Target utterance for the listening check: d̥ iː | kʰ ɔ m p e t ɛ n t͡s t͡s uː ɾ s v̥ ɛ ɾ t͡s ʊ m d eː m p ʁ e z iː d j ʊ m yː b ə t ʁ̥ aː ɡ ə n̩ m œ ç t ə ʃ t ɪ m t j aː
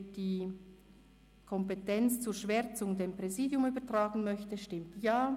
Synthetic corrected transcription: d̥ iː | kʰ ɔ m p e t ɛ n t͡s t͡s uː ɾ ʃ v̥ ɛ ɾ t͡s ʊ ŋ d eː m p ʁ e z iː d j ʊ m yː b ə t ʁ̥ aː ɡ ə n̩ m œ ç t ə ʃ t ɪ m t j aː